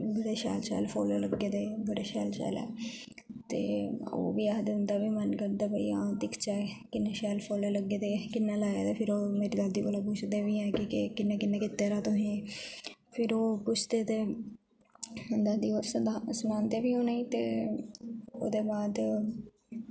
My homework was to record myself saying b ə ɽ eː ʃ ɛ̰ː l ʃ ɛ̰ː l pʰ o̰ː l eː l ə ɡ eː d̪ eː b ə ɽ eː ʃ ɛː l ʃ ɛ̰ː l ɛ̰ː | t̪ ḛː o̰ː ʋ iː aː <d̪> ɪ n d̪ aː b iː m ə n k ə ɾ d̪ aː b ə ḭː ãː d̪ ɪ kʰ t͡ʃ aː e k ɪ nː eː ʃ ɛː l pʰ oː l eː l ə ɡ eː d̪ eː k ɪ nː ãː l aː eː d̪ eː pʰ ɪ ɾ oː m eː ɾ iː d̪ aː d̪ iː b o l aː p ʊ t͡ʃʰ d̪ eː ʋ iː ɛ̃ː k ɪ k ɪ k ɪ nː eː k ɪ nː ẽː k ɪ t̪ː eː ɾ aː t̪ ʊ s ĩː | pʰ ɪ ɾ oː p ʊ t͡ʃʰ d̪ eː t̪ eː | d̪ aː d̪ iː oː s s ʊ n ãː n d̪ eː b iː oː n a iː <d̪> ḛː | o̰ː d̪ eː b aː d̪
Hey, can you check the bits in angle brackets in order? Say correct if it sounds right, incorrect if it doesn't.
correct, incorrect

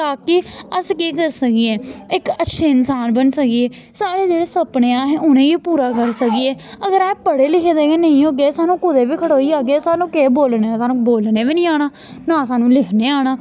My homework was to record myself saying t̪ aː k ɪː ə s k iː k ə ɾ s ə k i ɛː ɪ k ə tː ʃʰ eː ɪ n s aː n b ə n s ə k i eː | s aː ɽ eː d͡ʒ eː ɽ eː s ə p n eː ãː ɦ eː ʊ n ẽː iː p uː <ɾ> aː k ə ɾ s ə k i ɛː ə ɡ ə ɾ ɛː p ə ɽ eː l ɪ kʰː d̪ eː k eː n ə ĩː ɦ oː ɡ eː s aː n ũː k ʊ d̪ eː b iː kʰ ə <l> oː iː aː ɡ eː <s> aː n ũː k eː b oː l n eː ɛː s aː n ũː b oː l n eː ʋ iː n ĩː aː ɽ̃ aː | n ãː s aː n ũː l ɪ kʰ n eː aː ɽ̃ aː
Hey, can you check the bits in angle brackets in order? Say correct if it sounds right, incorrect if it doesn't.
correct, incorrect, correct

